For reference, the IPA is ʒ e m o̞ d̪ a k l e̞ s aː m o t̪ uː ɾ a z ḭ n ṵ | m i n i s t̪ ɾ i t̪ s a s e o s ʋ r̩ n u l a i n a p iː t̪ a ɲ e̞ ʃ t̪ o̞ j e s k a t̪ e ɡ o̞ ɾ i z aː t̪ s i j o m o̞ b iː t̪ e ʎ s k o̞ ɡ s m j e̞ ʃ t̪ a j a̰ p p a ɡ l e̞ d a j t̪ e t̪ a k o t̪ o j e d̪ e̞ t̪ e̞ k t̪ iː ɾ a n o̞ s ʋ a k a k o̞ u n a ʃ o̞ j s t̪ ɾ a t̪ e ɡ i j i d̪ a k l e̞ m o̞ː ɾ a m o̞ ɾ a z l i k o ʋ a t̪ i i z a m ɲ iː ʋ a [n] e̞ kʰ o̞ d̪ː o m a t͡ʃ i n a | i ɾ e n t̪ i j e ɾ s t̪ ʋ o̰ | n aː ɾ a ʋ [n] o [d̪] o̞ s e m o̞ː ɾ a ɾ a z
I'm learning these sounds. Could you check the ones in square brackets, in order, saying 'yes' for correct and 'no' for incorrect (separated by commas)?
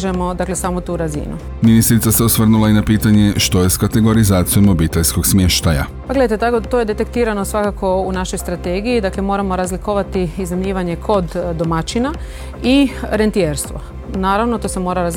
no, yes, no